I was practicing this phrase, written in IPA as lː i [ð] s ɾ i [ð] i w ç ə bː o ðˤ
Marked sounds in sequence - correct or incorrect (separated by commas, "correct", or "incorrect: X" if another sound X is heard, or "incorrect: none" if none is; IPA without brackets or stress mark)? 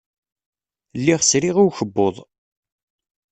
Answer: incorrect: ʁ, incorrect: ʁ